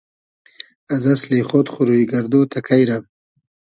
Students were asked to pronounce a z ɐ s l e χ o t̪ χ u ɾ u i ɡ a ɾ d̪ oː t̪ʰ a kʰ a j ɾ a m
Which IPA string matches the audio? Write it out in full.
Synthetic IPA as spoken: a z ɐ s l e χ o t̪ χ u ɾ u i ɡ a ɾ d̪ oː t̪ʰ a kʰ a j ɾ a m

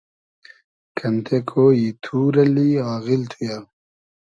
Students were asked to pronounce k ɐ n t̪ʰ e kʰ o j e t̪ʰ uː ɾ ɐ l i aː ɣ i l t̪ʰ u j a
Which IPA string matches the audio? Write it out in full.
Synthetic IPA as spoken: k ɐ n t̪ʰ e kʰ o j i t̪ʰ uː ɾ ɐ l i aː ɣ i l t̪ʰ u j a

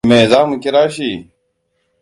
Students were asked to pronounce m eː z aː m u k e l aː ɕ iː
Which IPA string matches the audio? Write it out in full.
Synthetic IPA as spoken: m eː z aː m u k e ɾ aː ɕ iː

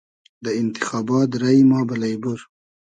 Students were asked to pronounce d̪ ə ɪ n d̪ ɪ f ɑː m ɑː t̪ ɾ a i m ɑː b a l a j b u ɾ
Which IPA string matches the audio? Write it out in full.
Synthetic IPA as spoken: d̪ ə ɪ n t̪ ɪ x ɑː b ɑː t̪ ɾ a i m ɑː b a l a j b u ɾ

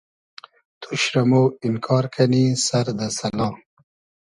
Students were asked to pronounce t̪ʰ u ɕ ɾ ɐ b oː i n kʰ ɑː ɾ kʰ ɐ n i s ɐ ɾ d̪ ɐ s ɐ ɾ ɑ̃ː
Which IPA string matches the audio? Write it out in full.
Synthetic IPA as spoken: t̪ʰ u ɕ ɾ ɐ m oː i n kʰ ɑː ɾ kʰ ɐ n i s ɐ ɾ d̪ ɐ s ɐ l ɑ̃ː

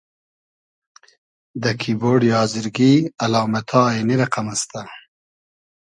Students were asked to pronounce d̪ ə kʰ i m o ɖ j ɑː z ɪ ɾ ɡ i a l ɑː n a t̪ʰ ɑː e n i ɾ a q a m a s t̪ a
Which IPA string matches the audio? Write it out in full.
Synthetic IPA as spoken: d̪ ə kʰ i b o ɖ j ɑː z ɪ ɾ ɡ i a l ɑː m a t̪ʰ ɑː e n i ɾ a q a m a s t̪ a

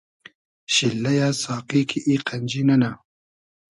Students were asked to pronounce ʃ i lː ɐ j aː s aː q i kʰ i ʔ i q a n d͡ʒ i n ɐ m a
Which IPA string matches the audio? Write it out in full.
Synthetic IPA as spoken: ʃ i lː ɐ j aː s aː q i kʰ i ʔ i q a n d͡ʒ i n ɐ n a

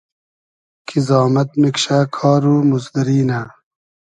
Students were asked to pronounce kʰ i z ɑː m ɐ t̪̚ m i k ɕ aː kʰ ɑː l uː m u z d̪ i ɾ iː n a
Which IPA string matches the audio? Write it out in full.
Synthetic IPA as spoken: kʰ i z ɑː m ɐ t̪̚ m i k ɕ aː kʰ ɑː ɾ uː m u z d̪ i ɾ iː n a

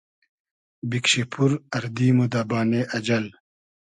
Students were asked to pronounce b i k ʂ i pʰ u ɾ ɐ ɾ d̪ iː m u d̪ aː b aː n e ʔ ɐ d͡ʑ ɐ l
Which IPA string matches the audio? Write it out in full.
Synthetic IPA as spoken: b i k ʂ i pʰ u ɾ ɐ ɾ d̪ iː m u d̪ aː b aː n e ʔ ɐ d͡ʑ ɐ l

